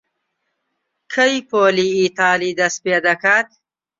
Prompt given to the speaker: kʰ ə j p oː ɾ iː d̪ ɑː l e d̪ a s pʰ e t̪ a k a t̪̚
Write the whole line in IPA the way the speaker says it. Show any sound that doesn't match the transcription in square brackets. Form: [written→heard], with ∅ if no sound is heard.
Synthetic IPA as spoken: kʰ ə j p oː [ɾ→l] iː [d̪→t̪] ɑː l [e→i] d̪ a s [pʰ→p] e [t̪→d̪] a k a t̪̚